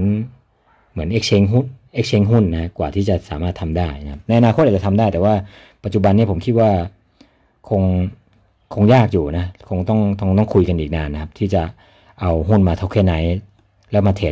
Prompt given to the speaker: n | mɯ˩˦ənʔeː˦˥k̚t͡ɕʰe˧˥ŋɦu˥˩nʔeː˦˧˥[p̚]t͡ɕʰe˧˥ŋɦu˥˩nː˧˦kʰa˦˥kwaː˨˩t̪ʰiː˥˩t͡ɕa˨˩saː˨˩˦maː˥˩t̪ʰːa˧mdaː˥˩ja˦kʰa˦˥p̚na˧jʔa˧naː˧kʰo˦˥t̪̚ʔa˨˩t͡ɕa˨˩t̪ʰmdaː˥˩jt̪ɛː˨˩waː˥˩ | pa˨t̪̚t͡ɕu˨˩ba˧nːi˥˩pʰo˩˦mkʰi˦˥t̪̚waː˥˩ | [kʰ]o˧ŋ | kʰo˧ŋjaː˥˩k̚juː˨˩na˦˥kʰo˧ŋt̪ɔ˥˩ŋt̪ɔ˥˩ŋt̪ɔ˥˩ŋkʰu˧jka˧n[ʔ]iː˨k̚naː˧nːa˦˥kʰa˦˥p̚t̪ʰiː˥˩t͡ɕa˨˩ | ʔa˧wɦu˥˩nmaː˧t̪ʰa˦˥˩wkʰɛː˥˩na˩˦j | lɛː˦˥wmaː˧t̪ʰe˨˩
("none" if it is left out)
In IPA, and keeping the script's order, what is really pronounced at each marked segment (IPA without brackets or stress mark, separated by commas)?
k̚, kʰ, ʔ